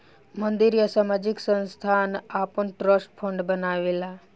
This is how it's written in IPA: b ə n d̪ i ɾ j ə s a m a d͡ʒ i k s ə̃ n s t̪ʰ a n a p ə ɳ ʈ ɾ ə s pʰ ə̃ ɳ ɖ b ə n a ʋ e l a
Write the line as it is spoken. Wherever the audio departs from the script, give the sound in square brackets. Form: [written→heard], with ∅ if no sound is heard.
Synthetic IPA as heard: [b→m] ə n d̪ i ɾ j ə s a m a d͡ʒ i k s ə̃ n s t̪ʰ a n a p ə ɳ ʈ ɾ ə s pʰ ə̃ ɳ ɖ b ə n a ʋ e l a